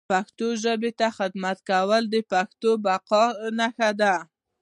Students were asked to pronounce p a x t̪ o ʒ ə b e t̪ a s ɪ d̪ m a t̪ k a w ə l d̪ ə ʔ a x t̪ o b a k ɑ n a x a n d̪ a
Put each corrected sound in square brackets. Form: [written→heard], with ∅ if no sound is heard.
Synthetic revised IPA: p a x t̪ o ʒ ə b e t̪ a [s→x] ɪ d̪ m a t̪ k a w ə l d̪ ə [ʔ→p] a x t̪ o b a [k→q] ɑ n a x a [n→∅] d̪ a